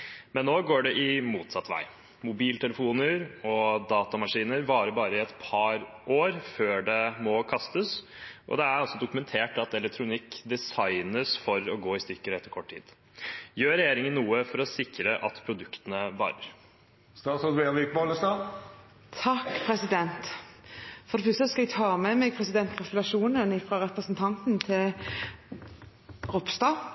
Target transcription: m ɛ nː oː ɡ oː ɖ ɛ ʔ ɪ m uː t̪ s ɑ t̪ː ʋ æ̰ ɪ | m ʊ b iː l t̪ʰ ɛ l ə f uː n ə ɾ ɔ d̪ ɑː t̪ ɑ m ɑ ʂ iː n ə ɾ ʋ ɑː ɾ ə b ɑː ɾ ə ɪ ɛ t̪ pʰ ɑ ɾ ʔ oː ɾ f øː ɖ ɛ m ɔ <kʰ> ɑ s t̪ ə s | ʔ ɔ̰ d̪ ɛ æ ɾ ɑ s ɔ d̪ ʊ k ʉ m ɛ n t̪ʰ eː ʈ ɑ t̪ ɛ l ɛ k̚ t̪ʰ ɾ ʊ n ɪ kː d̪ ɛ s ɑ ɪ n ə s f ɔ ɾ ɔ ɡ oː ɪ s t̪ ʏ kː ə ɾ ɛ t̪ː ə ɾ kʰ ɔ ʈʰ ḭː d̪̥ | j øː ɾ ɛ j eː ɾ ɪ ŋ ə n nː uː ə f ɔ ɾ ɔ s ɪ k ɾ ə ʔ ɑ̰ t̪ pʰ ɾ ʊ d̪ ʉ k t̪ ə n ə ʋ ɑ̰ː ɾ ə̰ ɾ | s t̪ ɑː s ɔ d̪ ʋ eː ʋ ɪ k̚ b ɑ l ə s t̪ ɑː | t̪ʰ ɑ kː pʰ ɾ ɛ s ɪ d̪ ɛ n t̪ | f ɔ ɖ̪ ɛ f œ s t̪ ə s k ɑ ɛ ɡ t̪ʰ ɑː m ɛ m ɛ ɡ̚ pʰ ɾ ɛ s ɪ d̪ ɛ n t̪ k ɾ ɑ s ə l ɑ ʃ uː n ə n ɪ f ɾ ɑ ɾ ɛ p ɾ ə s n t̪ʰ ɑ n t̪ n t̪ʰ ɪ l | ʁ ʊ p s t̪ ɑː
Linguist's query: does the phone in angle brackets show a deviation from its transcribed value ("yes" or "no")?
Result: no